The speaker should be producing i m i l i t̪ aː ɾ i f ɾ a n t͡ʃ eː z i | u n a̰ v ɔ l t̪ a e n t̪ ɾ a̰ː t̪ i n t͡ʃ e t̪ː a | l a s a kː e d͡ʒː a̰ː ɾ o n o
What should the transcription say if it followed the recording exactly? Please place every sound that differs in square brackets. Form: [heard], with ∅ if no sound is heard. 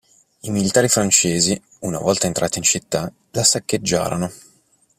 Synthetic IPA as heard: i m i l i t̪ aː ɾ i f ɾ a n t͡ʃ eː z i | u n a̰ v ɔ l t̪ a e n t̪ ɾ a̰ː t̪ i n t͡ʃ [i] t̪ː a | l a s a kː e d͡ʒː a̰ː ɾ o n o

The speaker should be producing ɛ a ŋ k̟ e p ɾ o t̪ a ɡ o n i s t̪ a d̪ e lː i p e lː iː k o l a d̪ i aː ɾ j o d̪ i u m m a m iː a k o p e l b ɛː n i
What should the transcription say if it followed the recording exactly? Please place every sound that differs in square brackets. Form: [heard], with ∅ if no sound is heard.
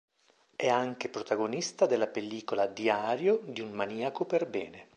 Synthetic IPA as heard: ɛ a ŋ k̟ e p ɾ o t̪ a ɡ o n i s t̪ a d̪ e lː [a] p e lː iː k o l a d̪ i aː ɾ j o d̪ i u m m a [n] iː a k o p e [r] b ɛː n [e]

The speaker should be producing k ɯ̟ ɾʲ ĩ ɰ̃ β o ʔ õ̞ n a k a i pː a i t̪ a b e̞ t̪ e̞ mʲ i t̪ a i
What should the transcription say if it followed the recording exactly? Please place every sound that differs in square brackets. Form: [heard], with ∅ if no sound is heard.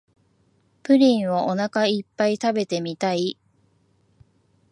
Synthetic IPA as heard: [p] ɯ̟ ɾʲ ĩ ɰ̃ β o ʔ [o̞] n a k a i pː a i t̪ a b e̞ t̪ e̞ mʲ i t̪ a i

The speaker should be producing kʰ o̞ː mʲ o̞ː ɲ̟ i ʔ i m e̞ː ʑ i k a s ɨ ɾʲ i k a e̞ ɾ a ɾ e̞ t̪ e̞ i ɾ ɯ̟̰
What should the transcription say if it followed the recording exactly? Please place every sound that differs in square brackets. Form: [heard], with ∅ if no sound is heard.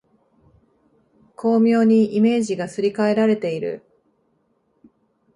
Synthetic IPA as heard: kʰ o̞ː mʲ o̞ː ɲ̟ i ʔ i m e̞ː ʑ i [ɡ] a s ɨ ɾʲ i k a e̞ ɾ a ɾ e̞ t̪ e̞ i ɾ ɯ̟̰

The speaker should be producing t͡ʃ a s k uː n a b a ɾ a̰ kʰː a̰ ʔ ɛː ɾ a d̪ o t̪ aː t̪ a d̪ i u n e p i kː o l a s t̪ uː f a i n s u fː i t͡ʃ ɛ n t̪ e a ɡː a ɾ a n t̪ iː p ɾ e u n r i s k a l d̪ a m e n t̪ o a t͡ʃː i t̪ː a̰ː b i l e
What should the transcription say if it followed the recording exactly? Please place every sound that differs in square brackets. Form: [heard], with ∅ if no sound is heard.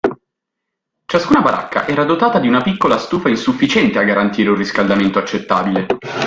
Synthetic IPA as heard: t͡ʃ a s k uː n a b a ɾ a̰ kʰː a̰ ʔ ɛː ɾ a d̪ o t̪ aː t̪ a d̪ i u n [a] p i kː o l a s t̪ uː f a i n s u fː i t͡ʃ ɛ n t̪ e a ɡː a ɾ a n t̪ iː [∅] ɾ e u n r i s k a l d̪ a m e n t̪ o a t͡ʃː [e] t̪ː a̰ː b i l e

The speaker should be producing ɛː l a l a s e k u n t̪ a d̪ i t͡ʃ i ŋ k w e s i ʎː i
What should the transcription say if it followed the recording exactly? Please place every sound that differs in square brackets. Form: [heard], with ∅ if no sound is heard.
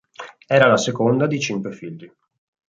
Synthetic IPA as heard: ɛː [ɾ] a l a s e k [o] n [d̪] a d̪ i t͡ʃ i ŋ k w e [f] i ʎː i

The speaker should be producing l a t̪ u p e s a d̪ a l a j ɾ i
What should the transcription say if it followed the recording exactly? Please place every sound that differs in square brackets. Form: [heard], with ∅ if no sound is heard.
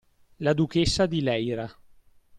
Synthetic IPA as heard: l a [d̪] u [k] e [sː] a d̪ [i] l [ɛ] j ɾ [a]

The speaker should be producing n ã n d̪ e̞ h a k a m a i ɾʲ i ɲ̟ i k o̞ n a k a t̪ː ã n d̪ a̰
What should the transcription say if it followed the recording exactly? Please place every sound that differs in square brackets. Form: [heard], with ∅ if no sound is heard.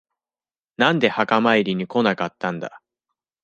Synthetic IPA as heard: n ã n d̪ e̞ h a k a m a i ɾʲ i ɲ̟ i k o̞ n a k a t̪ː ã n d̪ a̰

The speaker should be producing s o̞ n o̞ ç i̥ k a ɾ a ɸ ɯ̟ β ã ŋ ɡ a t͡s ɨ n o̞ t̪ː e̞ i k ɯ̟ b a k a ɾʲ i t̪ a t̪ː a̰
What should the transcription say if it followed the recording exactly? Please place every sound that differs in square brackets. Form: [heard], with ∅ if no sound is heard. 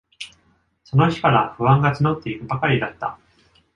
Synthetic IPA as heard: s o̞ n o̞ ç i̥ k a ɾ a ɸ ɯ̟ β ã ŋ ɡ a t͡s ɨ n o̞ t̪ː e̞ i k ɯ̟ b a k a ɾʲ i [d̪] a t̪ː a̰

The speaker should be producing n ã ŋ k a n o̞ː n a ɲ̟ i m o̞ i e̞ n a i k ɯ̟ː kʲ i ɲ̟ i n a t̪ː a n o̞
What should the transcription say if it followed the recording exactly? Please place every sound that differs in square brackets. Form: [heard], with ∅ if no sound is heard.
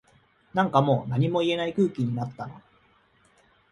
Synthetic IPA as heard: n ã ŋ k a [m] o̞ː n a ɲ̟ i m o̞ i e̞ n a i k ɯ̟ː kʲ i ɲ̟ i n a t̪ː a n o̞

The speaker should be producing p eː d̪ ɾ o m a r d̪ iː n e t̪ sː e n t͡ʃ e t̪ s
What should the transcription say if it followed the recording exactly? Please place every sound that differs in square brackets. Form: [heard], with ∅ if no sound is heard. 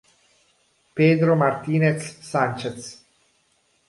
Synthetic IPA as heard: p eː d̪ ɾ o m a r [t̪] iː n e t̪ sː [a] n t͡ʃ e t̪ s

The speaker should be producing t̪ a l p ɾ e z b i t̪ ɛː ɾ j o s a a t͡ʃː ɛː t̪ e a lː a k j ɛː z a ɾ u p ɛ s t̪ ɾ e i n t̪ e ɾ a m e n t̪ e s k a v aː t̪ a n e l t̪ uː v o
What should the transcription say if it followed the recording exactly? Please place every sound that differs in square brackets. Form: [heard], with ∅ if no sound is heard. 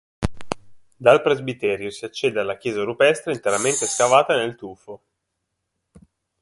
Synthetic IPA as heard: [d̪] a l p ɾ e z b i t̪ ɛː ɾ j o s [i] a t͡ʃː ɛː [d̪] e a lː a k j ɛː z a ɾ u p ɛ s t̪ ɾ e i n t̪ e ɾ a m e n t̪ e s k a v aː t̪ a n e l t̪ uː [f] o

